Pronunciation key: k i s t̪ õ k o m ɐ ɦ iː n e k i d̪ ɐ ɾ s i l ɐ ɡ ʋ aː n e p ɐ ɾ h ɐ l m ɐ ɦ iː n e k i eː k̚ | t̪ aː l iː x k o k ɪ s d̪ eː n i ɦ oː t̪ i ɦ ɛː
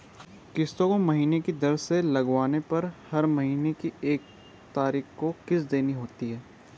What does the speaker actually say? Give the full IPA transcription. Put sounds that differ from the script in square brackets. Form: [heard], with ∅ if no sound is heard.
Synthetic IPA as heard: k [ɪ] s t̪ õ k o m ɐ ɦ iː n e k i d̪ ɐ ɾ s [e] l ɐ ɡ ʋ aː n e p ɐ ɾ h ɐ [ɾ] m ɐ ɦ iː n e k i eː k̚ | t̪ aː [ɾ] iː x k o k ɪ s d̪ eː n i ɦ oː t̪ i ɦ ɛː